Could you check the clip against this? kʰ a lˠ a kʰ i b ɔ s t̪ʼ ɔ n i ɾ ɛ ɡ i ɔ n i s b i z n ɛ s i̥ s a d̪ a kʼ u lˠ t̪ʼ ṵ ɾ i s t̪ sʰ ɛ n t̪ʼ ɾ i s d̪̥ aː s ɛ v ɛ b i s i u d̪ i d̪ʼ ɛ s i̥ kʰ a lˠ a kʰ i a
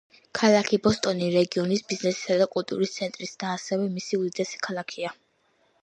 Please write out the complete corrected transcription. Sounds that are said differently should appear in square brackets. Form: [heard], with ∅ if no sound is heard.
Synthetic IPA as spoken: kʰ a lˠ a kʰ i b ɔ s t̪ʼ ɔ n i ɾ ɛ ɡ i ɔ n i s b i z n ɛ s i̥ s a d̪ a kʼ u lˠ t̪ʼ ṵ ɾ i s t̪ sʰ ɛ n t̪ʼ ɾ i s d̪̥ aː s ɛ v ɛ [m] i s i u d̪ i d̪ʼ ɛ s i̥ kʰ a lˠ a kʰ i a